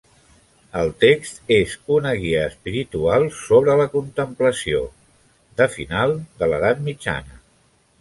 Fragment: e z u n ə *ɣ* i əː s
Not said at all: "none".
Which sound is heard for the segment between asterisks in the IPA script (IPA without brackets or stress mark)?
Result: ɣ